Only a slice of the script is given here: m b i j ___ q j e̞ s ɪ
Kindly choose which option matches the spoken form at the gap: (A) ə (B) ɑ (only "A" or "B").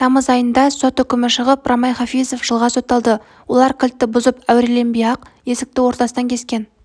B